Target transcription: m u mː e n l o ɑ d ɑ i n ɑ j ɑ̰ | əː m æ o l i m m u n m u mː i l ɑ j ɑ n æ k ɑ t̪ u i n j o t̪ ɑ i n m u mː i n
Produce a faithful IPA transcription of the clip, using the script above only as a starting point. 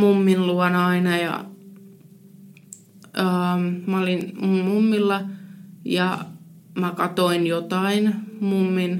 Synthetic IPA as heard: m u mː i n l u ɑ n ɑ i n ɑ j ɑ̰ | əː m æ o l i n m u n m u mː i lː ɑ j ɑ m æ k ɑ t̪ o i n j o t̪ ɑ i n m u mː i n